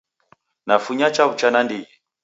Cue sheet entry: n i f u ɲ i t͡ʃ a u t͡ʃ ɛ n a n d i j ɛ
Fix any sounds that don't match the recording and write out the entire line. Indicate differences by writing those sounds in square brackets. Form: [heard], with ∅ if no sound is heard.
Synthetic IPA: n [a] f u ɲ [a] t͡ʃ a u t͡ʃ [a] n a n d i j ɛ